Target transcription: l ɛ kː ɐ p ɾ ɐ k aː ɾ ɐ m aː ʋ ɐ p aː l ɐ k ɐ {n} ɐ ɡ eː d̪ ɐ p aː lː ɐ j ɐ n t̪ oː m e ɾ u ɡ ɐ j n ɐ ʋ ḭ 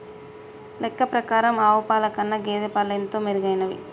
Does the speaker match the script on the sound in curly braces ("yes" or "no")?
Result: no